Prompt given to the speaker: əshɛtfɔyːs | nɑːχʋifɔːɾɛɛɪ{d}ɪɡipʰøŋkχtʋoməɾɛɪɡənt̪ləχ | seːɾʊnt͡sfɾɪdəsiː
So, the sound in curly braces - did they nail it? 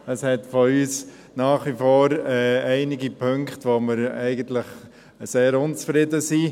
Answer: no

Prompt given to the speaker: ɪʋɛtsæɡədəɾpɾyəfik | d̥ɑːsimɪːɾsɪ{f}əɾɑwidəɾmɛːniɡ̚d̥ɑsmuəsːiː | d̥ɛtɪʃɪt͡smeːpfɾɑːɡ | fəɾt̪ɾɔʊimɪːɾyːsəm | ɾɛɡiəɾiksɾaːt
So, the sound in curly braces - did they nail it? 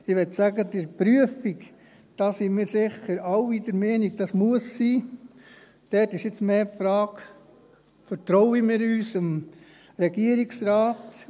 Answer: no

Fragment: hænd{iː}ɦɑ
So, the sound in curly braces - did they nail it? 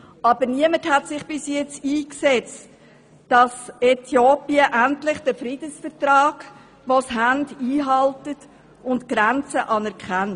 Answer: yes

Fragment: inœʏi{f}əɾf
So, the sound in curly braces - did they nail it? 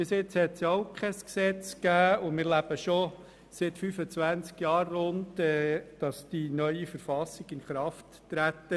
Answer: yes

